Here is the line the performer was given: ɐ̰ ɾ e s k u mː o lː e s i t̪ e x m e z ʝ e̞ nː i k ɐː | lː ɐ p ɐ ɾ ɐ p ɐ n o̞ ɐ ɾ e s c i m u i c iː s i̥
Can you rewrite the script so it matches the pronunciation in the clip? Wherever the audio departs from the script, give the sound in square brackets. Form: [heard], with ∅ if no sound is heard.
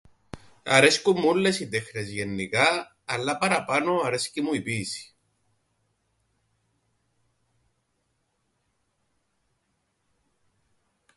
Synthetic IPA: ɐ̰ ɾ e s k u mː [u] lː e s i t̪ e x [n] e z ʝ e̞ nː i k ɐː | lː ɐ p ɐ ɾ ɐ p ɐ n o̞ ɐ ɾ e s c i m u i [p] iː s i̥